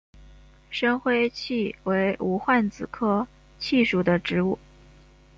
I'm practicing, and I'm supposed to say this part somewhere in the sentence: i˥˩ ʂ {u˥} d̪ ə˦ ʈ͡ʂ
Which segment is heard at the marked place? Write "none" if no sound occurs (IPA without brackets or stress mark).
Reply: u˨˩